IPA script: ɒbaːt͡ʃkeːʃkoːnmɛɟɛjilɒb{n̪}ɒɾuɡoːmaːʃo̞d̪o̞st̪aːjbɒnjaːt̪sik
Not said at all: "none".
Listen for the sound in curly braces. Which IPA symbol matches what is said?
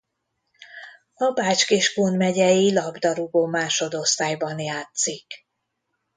d̪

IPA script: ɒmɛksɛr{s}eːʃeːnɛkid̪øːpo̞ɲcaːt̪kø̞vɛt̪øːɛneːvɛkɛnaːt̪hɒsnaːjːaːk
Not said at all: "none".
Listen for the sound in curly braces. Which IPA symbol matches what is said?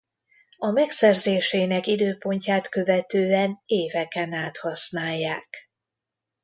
z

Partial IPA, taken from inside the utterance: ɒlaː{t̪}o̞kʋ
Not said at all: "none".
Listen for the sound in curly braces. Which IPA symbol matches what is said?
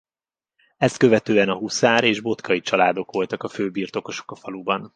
d̪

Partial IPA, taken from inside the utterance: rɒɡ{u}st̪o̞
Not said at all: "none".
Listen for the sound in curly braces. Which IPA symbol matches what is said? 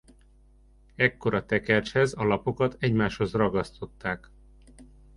ɒ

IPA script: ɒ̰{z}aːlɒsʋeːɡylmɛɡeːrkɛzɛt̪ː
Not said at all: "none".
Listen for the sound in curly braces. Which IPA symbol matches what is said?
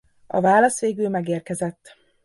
v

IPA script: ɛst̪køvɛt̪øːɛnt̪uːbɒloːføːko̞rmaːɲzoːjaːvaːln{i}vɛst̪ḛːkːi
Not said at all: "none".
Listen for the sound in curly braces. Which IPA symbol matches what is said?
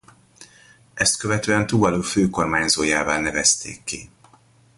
ɛ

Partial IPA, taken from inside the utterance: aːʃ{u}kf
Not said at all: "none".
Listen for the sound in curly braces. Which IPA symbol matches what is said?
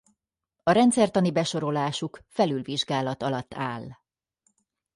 u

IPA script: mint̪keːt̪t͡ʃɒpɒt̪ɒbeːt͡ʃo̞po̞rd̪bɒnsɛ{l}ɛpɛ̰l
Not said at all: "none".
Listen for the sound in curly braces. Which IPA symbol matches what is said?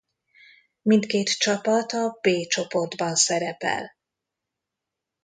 ɾ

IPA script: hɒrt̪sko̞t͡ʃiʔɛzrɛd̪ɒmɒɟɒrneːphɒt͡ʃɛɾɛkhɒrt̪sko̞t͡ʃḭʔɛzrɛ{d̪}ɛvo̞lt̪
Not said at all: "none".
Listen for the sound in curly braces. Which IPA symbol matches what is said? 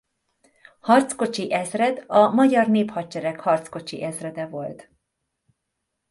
d̪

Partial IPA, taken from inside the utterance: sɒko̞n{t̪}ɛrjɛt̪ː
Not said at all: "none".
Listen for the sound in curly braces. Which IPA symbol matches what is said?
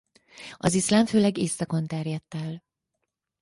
t̪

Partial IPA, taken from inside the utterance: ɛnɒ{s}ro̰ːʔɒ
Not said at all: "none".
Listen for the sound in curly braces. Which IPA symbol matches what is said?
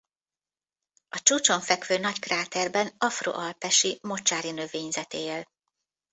f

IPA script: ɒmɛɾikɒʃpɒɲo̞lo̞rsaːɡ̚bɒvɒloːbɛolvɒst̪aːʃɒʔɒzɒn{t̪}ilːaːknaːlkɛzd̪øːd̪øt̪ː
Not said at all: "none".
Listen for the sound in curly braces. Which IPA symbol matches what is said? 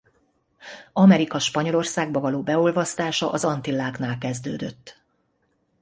t̪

